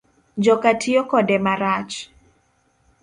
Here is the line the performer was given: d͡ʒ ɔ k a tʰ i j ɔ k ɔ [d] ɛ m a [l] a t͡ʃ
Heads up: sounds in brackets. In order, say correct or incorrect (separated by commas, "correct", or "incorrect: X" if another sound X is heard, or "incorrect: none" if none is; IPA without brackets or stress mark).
correct, incorrect: ɾ